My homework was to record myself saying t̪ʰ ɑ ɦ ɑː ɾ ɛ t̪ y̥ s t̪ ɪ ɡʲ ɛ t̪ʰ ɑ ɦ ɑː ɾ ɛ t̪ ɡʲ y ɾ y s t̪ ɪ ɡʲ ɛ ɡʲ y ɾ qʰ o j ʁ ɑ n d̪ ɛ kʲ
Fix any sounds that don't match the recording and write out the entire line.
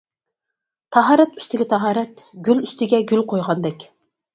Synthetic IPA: t̪ʰ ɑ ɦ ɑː ɾ ɛ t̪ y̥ s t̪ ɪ ɡʲ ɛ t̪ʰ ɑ ɦ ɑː ɾ ɛ t̪ ɡʲ y l y s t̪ ɪ ɡʲ ɛ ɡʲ y l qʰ o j ʁ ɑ n d̪ ɛ kʲ